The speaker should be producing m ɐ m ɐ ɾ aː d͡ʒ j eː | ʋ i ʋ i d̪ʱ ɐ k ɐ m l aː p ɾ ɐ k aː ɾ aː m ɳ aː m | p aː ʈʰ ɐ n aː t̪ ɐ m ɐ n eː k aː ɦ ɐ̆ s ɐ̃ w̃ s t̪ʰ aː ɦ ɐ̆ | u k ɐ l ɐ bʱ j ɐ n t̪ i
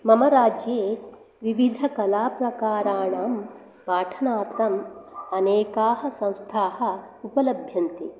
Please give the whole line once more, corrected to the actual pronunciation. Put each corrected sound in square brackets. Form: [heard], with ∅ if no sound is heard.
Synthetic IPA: m ɐ m ɐ ɾ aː d͡ʒ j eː | ʋ i ʋ i d̪ʱ ɐ k ɐ [∅] l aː p ɾ ɐ k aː ɾ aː [∅] ɳ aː m | p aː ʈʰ ɐ n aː t̪ ɐ m ɐ n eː k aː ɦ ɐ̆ s ɐ̃ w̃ s t̪ʰ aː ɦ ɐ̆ | u [p] ɐ l ɐ bʱ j ɐ n t̪ i

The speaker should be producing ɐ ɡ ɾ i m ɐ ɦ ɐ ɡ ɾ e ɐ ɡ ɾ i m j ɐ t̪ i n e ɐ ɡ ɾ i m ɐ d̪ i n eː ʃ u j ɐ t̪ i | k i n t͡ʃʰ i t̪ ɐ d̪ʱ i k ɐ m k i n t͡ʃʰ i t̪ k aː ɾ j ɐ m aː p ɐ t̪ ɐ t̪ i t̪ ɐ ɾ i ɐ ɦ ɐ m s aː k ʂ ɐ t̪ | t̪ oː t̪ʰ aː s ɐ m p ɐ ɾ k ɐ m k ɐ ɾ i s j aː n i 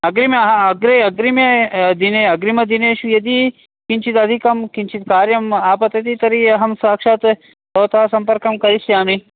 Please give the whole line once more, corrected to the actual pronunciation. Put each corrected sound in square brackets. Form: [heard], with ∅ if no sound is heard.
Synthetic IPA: ɐ ɡ ɾ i m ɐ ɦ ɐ ɡ ɾ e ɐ ɡ ɾ i m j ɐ [d̪] i n e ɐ ɡ ɾ i m ɐ d̪ i n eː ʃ u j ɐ [d̪] i | k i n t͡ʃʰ i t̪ ɐ d̪ʱ i k ɐ m k i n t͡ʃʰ i t̪ k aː ɾ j ɐ m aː p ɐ t̪ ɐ t̪ i t̪ ɐ ɾ i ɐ ɦ ɐ m s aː k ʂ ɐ t̪ | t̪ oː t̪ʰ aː s ɐ m p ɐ ɾ k ɐ m k ɐ ɾ i s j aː [m] i

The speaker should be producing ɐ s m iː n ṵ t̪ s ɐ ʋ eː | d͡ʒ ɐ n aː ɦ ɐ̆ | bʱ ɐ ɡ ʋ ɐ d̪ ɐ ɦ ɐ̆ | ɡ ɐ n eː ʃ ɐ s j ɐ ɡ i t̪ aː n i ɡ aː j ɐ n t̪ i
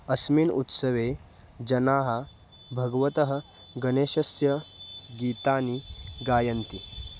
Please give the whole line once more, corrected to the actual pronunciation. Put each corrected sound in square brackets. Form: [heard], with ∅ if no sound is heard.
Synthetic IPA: ɐ s m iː n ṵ t̪ s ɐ ʋ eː | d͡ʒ ɐ n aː ɦ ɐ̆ | bʱ ɐ ɡ ʋ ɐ [t̪] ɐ ɦ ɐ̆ | ɡ ɐ n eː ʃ ɐ s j ɐ ɡ [iː] t̪ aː n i ɡ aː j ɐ n t̪ i

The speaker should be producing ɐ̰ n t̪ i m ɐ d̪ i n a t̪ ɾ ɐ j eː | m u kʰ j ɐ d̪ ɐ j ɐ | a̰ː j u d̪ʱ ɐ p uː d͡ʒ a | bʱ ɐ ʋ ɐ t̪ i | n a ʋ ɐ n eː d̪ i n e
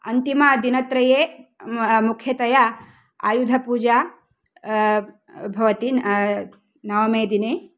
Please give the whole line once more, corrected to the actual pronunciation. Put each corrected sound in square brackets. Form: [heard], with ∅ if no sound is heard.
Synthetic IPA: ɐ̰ n t̪ i m ɐ d̪ i n [ɐ] t̪ ɾ ɐ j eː | m u kʰ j ɐ [t̪] ɐ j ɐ | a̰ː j u d̪ʱ ɐ p uː d͡ʒ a | bʱ ɐ ʋ ɐ t̪ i | n [ɐ] ʋ ɐ [m] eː d̪ i n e

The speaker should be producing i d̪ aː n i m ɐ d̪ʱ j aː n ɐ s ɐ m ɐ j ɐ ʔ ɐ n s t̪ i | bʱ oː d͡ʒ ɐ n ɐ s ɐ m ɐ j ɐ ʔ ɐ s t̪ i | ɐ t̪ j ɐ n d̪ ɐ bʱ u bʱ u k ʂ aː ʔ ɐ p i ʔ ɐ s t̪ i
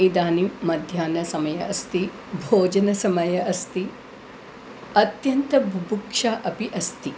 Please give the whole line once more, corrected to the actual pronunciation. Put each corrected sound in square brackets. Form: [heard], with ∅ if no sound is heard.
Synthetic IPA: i d̪ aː n i m ɐ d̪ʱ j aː n ɐ s ɐ m ɐ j ɐ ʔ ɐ [∅] s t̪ i | bʱ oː d͡ʒ ɐ n ɐ s ɐ m ɐ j ɐ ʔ ɐ s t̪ i | ɐ t̪ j ɐ n [t̪] ɐ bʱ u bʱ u k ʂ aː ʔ ɐ p i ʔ ɐ s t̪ i

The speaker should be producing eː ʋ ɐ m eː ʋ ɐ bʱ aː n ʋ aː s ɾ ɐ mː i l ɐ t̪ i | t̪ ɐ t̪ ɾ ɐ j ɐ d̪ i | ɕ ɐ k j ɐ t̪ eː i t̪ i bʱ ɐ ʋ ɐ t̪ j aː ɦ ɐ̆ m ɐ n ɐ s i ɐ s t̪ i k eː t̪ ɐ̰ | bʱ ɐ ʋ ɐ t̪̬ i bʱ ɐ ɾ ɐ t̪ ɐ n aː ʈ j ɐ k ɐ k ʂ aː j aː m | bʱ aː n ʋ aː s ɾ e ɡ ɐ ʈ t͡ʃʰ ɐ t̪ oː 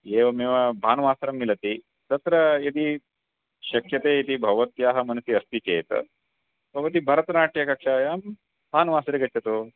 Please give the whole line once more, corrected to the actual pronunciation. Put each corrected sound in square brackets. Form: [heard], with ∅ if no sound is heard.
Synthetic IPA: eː ʋ ɐ m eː ʋ ɐ bʱ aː n ʋ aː s ɾ ɐ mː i l ɐ t̪ i | t̪ ɐ t̪ ɾ ɐ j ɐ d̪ i | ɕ ɐ k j ɐ t̪ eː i t̪ i bʱ ɐ ʋ ɐ t̪ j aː ɦ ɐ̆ m ɐ n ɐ s i ɐ s t̪ i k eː t̪ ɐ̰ | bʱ ɐ ʋ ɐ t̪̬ i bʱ ɐ ɾ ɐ t̪ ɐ n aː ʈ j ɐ k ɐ k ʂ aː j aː m | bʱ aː n ʋ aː s ɾ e ɡ ɐ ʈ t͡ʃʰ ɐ t̪ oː

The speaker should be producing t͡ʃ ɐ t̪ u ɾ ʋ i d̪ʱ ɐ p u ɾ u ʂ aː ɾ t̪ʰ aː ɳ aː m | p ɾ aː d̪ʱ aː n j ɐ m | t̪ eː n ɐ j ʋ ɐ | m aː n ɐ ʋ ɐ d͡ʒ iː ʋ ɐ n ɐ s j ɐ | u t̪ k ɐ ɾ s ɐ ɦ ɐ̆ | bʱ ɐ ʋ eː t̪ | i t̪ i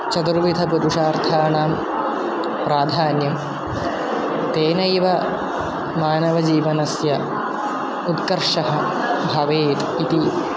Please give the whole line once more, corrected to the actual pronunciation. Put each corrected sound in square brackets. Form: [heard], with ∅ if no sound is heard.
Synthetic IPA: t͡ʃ ɐ t̪ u ɾ ʋ i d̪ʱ ɐ p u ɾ u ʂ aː ɾ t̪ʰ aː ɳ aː m | p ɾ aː d̪ʱ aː n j ɐ m | t̪ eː n ɐ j ʋ ɐ | m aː n ɐ ʋ ɐ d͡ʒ iː ʋ ɐ n ɐ s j ɐ | u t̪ k ɐ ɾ [ʂ] ɐ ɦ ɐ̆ | bʱ ɐ ʋ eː t̪ | i t̪ i

